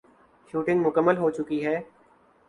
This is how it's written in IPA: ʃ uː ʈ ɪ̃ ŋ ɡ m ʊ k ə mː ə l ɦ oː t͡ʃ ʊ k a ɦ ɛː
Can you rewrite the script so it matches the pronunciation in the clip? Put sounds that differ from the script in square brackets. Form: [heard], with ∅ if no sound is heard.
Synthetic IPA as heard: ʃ uː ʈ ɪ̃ ŋ ɡ m ʊ k ə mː ə l ɦ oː t͡ʃ ʊ k [i] ɦ ɛː

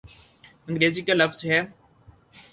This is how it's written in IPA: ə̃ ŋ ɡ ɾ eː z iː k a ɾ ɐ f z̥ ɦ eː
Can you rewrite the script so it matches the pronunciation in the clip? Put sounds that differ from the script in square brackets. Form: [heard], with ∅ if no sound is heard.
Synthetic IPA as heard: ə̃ ŋ ɡ ɾ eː z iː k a [l] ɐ f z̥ ɦ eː

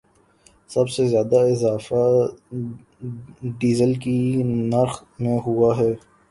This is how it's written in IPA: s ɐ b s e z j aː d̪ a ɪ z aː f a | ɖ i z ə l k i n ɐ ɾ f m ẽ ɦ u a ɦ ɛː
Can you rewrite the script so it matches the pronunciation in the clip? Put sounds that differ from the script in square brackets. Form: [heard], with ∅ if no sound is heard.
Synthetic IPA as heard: s ɐ b s e z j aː d̪ a ɪ z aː f a | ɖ [iː] z ə l k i n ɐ ɾ [x] m ẽ ɦ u a ɦ ɛː

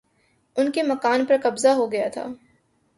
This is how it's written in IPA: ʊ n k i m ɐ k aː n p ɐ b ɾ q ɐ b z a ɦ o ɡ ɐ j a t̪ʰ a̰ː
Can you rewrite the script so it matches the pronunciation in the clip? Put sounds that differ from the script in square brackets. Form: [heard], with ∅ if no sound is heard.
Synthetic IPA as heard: ʊ n k [e] m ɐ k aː n p ɐ [∅] ɾ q ɐ b z a ɦ o ɡ ɐ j a t̪ʰ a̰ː

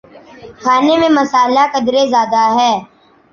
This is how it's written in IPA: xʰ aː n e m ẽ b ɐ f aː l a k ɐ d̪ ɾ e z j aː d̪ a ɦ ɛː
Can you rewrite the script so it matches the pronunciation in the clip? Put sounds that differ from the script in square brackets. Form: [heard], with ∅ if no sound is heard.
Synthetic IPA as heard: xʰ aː n e m ẽ [m] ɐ [s] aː l a k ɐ d̪ ɾ e z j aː d̪ a ɦ ɛː

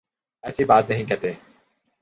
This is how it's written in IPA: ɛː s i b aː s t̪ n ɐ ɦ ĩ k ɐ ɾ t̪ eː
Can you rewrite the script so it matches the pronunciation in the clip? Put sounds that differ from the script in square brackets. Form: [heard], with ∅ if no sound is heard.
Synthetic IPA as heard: ɛː s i b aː [∅] t̪ n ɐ ɦ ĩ k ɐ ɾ t̪ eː

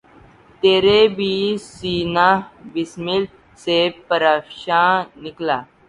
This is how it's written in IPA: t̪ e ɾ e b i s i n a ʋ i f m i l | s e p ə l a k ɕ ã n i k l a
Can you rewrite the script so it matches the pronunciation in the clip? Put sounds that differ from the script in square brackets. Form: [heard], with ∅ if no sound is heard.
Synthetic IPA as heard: t̪ e ɾ e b i s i n a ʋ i [s] m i l | s e p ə [ɾ] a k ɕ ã n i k l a

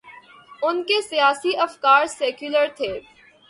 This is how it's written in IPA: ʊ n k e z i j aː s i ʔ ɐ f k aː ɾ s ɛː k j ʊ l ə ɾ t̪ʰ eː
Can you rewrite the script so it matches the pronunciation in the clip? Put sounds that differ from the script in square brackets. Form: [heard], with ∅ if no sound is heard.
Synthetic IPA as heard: ʊ n k e [s] i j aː s i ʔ ɐ f k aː ɾ s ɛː k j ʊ l ə ɾ t̪ʰ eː

